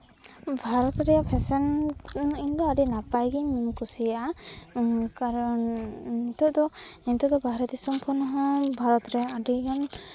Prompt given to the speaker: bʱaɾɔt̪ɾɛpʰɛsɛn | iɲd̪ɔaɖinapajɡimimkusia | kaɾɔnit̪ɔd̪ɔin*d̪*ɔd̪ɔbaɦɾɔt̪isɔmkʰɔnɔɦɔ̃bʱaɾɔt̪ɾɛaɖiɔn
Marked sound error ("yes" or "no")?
yes